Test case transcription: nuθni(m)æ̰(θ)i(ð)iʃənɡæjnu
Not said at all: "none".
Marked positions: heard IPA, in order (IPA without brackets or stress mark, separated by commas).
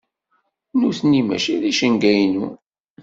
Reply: m, ʃ, ð